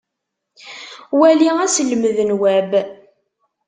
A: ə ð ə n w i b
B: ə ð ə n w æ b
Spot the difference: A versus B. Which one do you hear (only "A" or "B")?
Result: B